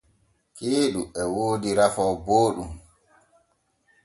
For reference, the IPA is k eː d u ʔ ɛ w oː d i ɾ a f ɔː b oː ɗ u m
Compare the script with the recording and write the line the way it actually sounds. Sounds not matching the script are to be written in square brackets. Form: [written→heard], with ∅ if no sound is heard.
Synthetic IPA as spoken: k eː [d→ɗ] u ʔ ɛ w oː d i ɾ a f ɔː b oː ɗ u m